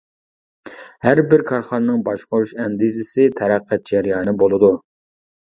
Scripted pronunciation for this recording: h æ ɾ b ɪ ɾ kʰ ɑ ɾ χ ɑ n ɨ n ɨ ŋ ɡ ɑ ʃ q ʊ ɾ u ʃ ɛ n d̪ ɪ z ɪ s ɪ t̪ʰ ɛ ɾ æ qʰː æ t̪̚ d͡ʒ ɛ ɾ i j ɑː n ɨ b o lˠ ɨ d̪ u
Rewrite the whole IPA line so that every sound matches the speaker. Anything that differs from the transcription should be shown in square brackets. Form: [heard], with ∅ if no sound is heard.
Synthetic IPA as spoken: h æ ɾ b ɪ ɾ kʰ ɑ ɾ χ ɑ n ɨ n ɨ ŋ [b] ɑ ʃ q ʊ ɾ u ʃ ɛ n d̪ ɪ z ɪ s ɪ t̪ʰ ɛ ɾ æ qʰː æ t̪̚ d͡ʒ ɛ ɾ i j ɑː n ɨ b o lˠ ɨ d̪ u

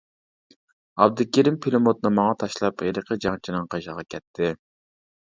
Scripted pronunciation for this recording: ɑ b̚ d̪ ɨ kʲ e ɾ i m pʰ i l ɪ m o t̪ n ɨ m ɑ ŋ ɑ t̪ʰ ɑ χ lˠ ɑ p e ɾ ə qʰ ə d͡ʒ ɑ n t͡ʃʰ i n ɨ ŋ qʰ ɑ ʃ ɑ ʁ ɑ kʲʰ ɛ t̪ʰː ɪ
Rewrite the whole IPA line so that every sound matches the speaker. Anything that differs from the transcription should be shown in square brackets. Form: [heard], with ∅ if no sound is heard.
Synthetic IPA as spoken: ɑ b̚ d̪ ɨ kʲ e ɾ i m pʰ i l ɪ m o t̪ n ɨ m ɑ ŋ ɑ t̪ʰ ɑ [ʃ] lˠ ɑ p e ɾ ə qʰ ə d͡ʒ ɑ [ŋ] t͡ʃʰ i n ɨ ŋ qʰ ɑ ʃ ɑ ʁ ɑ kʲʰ ɛ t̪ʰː ɪ

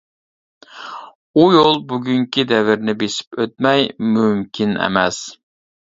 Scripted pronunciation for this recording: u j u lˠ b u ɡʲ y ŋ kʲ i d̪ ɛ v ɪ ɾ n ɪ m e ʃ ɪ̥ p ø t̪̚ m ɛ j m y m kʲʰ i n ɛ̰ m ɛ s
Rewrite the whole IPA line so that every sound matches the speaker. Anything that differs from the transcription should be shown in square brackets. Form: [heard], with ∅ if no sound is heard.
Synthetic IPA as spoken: u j [o] lˠ b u ɡʲ y ŋ kʲ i d̪ ɛ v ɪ ɾ n ɪ [b] e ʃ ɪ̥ p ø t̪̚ m ɛ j m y m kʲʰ i n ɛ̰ m ɛ s

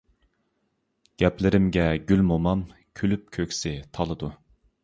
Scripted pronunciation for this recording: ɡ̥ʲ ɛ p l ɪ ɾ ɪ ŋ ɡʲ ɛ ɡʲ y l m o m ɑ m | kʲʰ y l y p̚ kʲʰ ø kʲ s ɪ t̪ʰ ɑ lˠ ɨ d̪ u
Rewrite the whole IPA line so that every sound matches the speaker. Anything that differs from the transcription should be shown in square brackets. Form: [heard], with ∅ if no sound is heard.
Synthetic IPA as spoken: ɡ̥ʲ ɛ p l ɪ ɾ ɪ [m] ɡʲ ɛ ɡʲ y l m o m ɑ m | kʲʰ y l y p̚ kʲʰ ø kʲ s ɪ t̪ʰ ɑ lˠ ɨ d̪ u

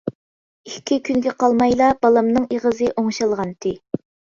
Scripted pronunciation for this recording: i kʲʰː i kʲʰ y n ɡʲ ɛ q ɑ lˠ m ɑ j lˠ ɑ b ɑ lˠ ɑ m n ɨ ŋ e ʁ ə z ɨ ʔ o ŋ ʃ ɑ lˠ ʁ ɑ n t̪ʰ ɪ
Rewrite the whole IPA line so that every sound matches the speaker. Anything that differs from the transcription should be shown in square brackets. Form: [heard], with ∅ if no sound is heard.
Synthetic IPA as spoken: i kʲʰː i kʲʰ y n ɡʲ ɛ q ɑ lˠ m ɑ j lˠ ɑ b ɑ lˠ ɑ m n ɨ ŋ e ʁ ə z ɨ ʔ o ŋ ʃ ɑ lˠ ʁ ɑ n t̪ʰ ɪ

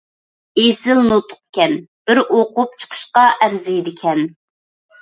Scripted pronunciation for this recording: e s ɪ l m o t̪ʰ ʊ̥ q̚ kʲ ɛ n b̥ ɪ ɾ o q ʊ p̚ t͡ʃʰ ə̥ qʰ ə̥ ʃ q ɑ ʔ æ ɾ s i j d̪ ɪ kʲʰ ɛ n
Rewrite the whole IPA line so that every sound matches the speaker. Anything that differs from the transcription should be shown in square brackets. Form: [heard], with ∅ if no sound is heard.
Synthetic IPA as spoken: e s ɪ l [n] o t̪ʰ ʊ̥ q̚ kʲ ɛ n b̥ ɪ ɾ o q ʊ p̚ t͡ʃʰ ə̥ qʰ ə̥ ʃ q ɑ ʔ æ ɾ [z] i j d̪ ɪ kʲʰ ɛ n

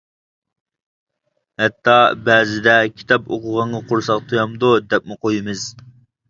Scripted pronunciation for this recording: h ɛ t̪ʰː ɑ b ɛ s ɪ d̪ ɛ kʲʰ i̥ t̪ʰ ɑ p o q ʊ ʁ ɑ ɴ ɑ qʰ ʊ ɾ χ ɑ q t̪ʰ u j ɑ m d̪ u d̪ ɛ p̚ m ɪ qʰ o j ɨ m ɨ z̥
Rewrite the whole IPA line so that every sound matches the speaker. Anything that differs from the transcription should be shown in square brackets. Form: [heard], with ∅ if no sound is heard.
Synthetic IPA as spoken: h ɛ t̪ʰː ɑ b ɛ [z] ɪ d̪ ɛ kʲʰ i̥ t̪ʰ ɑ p o q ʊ ʁ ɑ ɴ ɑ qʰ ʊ ɾ [s] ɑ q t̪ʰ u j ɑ m d̪ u d̪ ɛ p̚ m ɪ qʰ o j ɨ m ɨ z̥

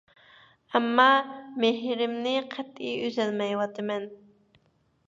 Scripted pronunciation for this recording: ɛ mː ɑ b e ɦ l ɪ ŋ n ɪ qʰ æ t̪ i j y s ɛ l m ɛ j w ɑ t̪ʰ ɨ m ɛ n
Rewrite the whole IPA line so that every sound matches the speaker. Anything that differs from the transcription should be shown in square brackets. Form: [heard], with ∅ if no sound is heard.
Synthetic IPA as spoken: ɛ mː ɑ [m] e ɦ [ɾ] ɪ [m] n ɪ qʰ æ t̪ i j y [z] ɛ l m ɛ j w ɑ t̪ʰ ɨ m ɛ n

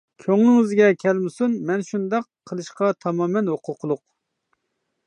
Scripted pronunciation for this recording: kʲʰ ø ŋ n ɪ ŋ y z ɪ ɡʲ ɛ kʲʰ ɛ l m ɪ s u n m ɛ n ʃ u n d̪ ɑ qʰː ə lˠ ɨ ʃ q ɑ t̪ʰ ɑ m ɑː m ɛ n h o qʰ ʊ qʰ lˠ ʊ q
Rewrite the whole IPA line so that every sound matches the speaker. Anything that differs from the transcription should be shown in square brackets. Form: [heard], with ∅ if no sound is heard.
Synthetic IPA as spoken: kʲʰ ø ŋ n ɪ ŋ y z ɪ ɡʲ ɛ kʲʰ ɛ l m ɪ s u n m ɛ n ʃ u n d̪ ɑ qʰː ə lˠ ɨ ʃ q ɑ t̪ʰ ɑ m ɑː m ɛ n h o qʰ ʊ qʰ lˠ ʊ q

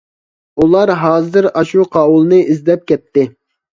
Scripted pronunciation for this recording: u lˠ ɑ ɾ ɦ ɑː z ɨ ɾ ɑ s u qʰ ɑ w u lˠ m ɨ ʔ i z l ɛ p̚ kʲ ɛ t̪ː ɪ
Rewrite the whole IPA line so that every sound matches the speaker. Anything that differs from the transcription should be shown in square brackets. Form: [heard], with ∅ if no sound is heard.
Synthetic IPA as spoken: u lˠ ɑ ɾ ɦ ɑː z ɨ ɾ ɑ [ʃ] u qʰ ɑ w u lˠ [n] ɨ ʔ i z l ɛ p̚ kʲ ɛ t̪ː ɪ

